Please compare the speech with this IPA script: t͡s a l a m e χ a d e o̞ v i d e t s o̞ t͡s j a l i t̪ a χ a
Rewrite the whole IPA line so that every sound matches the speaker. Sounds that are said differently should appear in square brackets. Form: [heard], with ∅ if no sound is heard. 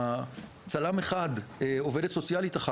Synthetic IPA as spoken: t͡s a l a m e χ a d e o̞ v [e] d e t s o̞ t͡s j a l i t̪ a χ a